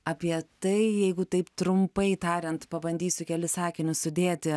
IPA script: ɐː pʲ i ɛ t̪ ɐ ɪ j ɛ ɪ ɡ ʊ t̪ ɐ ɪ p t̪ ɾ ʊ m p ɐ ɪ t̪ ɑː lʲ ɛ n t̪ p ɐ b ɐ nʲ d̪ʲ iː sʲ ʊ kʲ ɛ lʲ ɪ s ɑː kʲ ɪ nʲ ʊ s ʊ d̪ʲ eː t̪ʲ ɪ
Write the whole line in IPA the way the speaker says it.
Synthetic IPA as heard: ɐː pʲ i ɛ t̪ ɐ ɪ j ɛ ɪ ɡ ʊ t̪ ɐ ɪ p t̪ ɾ ʊ m p ɐ ɪ t̪ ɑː ɾʲ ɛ n t̪ p ɐ b ɐ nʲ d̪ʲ iː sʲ ʊ kʲ ɛ lʲ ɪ s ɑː kʲ ɪ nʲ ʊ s ʊ d̪ʲ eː t̪ʲ ɪ